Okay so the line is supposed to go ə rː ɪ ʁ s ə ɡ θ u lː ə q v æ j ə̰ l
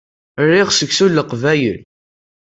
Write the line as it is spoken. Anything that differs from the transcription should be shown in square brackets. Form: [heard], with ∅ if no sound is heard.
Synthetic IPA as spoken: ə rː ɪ ʁ s ə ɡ [s] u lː ə q v æ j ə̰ l